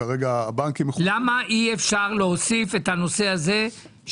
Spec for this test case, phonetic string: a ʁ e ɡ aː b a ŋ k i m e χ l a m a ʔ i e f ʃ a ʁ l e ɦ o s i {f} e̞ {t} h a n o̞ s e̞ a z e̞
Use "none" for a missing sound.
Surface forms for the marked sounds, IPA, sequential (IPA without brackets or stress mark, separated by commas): f, t